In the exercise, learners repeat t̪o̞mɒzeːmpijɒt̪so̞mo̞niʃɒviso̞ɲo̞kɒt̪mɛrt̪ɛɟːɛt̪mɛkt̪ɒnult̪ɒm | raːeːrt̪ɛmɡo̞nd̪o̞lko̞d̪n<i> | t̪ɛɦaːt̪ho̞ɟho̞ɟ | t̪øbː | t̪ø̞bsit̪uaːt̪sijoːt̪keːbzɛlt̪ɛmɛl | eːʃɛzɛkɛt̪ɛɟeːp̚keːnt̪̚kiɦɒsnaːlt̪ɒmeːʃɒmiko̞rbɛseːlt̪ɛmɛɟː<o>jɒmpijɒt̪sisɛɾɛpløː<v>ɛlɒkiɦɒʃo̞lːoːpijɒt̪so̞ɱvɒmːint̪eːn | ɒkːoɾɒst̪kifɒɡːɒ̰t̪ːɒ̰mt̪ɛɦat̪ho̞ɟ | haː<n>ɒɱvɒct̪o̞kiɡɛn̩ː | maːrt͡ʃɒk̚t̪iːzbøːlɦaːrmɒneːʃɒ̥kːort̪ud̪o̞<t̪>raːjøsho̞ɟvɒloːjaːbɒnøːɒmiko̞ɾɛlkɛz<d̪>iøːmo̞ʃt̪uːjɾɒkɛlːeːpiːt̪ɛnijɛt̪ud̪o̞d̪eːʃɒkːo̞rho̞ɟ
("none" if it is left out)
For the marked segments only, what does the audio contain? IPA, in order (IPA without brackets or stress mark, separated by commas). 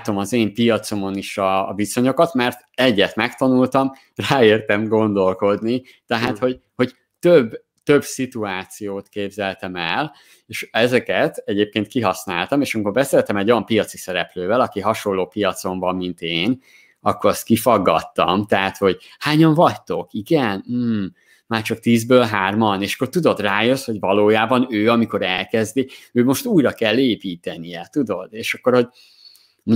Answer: i, o, v, ɲ, d̪, d̪